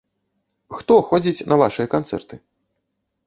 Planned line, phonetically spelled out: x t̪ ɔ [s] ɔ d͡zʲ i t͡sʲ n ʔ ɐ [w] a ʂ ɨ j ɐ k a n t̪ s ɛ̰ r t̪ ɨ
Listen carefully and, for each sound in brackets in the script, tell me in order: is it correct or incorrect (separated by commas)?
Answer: incorrect, incorrect